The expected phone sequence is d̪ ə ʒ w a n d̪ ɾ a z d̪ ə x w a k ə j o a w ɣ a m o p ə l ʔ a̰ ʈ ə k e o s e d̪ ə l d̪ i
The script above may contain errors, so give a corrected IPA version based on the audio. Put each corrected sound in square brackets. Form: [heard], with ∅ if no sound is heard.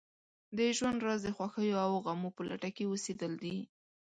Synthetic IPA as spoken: d̪ ə ʒ w a n d̪ ɾ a z d̪ ə x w a [x] ə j o a w ɣ a m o p ə l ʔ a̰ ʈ [a] k e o s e d̪ ə l d̪ i